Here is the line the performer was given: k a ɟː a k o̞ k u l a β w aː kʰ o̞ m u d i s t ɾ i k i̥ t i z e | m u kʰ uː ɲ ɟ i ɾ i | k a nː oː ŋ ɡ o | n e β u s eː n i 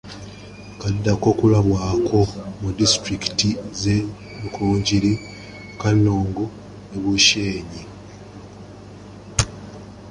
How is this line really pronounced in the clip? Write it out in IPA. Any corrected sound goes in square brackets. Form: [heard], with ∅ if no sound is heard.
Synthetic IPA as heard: k a [dː] a k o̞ k u l a β w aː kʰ o̞ m u d i s t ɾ i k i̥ t i z e | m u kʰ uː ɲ ɟ i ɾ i | k a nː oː ŋ ɡ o | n e β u [ʃ] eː [ɲ] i